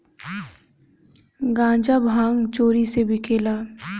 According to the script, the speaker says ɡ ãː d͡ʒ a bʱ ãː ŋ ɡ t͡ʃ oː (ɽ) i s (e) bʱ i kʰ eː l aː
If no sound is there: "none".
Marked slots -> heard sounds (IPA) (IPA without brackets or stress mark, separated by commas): ɾ, e